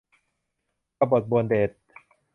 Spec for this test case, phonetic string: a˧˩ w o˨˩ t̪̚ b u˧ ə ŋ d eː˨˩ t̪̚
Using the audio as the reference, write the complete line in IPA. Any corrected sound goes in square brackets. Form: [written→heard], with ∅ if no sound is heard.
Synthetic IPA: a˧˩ [w→b] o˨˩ t̪̚ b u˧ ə [ŋ→n] d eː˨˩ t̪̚